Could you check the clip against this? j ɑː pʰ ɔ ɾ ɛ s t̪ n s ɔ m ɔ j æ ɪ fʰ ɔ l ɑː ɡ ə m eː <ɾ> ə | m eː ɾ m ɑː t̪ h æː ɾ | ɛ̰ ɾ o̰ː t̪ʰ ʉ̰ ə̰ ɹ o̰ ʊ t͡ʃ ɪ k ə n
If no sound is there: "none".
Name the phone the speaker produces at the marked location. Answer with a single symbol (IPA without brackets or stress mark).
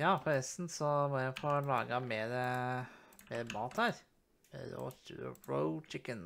ɾ